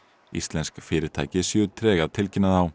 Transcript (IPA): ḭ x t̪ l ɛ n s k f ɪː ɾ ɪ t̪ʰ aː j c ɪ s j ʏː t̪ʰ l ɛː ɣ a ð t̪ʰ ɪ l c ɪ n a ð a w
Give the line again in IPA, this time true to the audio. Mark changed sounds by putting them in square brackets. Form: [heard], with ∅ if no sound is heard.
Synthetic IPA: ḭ [s] t̪ l ɛ n s k f ɪː ɾ ɪ t̪ʰ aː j c ɪ s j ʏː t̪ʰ [ɾ] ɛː ɣ a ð t̪ʰ ɪ l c ɪ n a ð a w

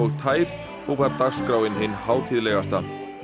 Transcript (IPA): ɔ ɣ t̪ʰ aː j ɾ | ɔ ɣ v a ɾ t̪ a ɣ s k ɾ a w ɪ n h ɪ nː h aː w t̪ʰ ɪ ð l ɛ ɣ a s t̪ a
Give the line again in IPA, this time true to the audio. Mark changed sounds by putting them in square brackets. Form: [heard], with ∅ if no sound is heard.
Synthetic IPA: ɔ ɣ t̪ʰ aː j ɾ | ɔ ɣ v a ɾ t̪ a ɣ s k ɾ a w ɪ n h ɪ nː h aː w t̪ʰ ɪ ð l ɛ ɣ a s t̪ a

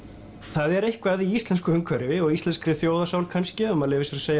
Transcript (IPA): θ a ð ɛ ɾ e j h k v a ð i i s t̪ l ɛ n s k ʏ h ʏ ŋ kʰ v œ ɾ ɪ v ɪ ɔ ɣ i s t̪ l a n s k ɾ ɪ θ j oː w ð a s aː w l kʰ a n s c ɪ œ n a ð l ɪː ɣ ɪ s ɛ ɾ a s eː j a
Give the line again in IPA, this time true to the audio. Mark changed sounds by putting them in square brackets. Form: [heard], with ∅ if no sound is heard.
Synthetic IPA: θ a ð ɛ ɾ e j h k v a ð i i s t̪ l ɛ n s k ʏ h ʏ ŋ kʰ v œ ɾ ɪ v ɪ ɔ ɣ i s t̪ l [ɛ] n s k ɾ ɪ θ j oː w ð a s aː w l kʰ a n s c ɪ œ [m] a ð l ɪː [v] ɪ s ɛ ɾ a s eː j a

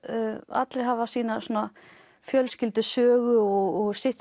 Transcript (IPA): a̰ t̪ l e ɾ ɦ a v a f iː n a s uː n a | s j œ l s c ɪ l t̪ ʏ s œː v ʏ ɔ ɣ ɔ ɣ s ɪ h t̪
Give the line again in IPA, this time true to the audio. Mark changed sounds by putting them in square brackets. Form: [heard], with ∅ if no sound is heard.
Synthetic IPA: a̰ t̪ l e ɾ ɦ a v a [s] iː n a s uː n a | [f] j œ l s c ɪ l t̪ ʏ s œː [ɣ] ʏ ɔ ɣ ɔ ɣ s ɪ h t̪

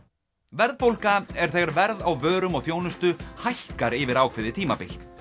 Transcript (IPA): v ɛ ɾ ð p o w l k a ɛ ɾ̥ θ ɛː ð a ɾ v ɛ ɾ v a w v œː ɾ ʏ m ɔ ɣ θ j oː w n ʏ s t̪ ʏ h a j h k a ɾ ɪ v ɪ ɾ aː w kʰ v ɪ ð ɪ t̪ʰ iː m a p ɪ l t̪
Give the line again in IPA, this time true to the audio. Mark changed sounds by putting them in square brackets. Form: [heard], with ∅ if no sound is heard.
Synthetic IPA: v ɛ ɾ ð p o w l k a ɛ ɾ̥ θ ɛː [ɣ] a ɾ v ɛ ɾ [ð] a w v œː ɾ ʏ m ɔ ɣ θ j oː w n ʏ s t̪ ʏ h a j h k a ɾ ɪ v ɪ ɾ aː w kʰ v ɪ ð ɪ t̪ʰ iː m a p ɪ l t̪

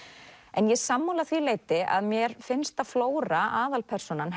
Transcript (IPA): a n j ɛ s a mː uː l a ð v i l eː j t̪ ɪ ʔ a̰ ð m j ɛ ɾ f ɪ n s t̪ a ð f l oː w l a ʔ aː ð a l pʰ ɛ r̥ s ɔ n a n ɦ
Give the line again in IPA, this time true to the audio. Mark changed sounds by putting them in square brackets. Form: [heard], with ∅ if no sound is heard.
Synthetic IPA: [ɛ] n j ɛ s a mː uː l a [θ] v i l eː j t̪ ɪ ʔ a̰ ð m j ɛ ɾ f ɪ n s t̪ a ð f l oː w [ɾ] a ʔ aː ð a l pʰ ɛ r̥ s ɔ n a n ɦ

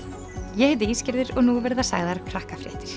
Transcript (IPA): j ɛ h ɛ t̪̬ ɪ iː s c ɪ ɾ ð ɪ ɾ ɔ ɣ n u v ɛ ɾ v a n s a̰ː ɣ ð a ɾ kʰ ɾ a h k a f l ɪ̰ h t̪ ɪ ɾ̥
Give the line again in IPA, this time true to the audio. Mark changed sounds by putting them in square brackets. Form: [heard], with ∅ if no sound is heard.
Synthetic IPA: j ɛ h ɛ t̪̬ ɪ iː s c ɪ ɾ ð ɪ ɾ ɔ ɣ n u v ɛ ɾ [ð] a [∅] s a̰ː ɣ ð a ɾ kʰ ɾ a h k a f [ɾ] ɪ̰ h t̪ ɪ ɾ̥

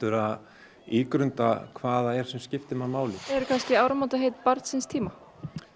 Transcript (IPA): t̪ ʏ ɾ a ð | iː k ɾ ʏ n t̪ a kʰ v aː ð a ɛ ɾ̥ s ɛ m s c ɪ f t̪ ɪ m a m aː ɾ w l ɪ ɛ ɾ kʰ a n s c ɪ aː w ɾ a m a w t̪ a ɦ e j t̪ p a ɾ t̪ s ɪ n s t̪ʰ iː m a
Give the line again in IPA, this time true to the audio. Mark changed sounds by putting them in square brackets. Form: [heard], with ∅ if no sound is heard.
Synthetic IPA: t̪ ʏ ɾ a ð | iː k ɾ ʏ n t̪ a kʰ v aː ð a ɛ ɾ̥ s ɛ m s c ɪ f t̪ ɪ m a m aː [∅] w l ɪ ɛ ɾ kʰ a n s c ɪ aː w ɾ a m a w t̪ a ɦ e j t̪ p a ɾ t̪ s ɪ n s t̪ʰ iː m a

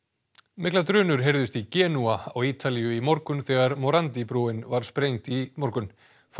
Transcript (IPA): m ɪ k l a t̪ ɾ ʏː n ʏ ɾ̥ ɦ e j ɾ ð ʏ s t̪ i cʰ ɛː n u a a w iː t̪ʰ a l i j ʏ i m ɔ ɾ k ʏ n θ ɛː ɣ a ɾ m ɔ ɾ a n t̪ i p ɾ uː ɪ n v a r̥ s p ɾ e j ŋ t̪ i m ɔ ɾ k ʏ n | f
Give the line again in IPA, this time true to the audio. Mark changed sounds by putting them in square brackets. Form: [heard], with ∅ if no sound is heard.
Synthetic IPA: m ɪ k l a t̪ ɾ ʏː n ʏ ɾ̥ ɦ e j ɾ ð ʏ s t̪ i [c] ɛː n u a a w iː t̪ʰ a l i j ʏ i m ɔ ɾ k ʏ n θ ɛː ɣ a ɾ m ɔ ɾ a n t̪ i p ɾ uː ɪ n v a [ɾ̥] s p ɾ e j ŋ t̪ i m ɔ ɾ k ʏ n | f

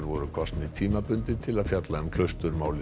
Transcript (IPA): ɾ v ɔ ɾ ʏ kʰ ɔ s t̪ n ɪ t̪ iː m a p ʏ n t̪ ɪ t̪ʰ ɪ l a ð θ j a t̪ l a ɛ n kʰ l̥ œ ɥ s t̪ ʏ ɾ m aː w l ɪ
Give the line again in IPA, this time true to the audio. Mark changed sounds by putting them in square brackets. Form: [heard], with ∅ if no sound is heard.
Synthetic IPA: ɾ v ɔ ɾ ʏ kʰ ɔ s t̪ n ɪ [t̪ʰ] iː m a p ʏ n t̪ ɪ t̪ʰ ɪ l a ð [f] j a t̪ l a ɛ [m] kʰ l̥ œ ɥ s t̪ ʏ ɾ m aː w l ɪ

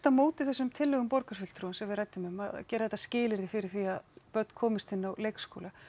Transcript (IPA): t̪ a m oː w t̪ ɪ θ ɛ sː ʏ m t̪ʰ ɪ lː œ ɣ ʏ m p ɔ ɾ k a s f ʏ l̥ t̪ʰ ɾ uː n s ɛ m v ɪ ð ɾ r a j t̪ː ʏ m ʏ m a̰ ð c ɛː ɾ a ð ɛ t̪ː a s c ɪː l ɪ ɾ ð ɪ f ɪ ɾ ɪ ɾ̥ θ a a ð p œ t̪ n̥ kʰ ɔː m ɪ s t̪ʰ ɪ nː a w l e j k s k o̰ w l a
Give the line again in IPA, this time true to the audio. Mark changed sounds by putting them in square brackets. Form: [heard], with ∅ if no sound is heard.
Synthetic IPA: t̪ a m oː w t̪ ɪ θ ɛ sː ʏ m t̪ʰ ɪ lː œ ɣ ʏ m p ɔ ɾ k a s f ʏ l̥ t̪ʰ ɾ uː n s ɛ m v ɪ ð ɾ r a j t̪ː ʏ m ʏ m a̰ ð c ɛː ɾ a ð ɛ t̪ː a s c ɪː l ɪ ɾ ð ɪ f ɪ ɾ ɪ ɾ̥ θ [i] a ð p œ t̪ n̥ kʰ ɔː m ɪ s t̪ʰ ɪ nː a w l e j k s k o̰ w l a

